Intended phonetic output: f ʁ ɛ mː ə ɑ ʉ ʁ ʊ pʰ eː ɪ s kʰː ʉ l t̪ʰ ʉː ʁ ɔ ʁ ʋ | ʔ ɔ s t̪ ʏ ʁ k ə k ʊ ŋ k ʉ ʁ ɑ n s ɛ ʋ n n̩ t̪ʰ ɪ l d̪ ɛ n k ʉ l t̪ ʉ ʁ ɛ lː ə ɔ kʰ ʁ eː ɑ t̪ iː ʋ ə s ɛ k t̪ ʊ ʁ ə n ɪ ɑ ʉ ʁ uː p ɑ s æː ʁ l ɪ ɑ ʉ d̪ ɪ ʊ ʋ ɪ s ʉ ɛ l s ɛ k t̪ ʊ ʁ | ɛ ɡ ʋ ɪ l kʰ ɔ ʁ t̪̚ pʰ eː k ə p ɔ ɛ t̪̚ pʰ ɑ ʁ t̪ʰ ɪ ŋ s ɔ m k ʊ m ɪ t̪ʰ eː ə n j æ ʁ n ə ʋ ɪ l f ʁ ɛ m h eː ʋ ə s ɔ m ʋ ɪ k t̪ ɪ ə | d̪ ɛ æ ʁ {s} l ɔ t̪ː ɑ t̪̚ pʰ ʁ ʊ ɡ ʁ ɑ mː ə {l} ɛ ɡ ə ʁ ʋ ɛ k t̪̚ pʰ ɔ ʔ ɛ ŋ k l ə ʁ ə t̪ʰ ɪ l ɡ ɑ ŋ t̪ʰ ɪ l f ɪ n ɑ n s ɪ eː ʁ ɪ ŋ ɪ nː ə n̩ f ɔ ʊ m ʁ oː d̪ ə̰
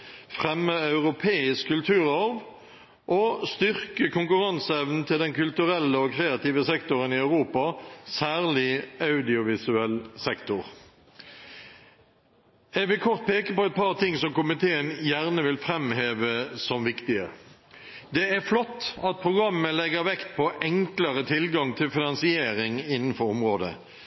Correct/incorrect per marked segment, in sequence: incorrect: f, correct

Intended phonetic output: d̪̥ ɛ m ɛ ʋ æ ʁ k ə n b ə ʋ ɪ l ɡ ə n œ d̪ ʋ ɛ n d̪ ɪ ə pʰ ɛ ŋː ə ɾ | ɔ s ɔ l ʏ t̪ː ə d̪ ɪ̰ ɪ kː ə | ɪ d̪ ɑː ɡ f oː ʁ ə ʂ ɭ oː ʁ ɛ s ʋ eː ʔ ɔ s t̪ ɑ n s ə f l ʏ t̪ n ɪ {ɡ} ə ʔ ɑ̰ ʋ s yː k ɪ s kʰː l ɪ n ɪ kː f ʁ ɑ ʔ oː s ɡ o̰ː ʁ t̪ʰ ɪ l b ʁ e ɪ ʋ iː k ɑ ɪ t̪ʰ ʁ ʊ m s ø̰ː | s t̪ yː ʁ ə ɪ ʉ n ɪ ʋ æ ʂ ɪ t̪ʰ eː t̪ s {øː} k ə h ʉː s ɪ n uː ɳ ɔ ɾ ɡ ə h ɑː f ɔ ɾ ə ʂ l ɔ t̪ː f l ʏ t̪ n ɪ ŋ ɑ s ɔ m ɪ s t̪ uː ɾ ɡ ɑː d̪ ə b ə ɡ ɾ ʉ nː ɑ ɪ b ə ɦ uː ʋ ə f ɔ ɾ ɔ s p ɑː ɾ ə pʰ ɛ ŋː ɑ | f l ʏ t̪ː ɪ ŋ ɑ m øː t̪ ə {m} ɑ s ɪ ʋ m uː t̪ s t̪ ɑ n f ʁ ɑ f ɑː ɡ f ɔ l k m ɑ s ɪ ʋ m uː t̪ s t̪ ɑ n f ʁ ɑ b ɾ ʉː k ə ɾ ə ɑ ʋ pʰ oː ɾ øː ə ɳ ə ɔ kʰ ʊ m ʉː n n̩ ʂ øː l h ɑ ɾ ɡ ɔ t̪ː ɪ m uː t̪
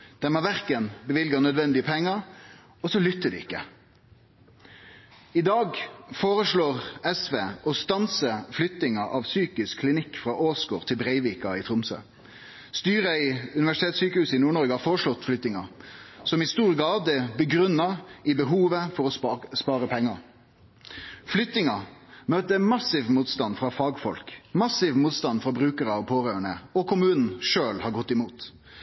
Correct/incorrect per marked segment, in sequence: incorrect: ŋ, incorrect: yː, correct

